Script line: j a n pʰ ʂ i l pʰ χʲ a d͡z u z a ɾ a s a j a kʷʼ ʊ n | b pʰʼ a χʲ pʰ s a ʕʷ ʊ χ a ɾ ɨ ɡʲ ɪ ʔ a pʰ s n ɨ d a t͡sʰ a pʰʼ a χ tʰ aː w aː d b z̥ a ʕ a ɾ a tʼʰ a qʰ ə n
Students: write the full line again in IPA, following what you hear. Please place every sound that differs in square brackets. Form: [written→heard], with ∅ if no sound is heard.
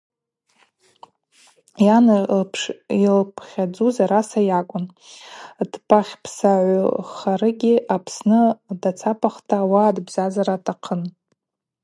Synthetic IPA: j a n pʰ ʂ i l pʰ χʲ a d͡z u z a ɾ a s a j a kʷʼ ʊ n | [b→d] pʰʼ a χʲ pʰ s a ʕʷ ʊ χ a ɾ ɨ ɡʲ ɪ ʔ a pʰ s n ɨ d a t͡sʰ a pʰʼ a χ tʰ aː w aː d b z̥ a [ʕ→z] a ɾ a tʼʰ a qʰ ə n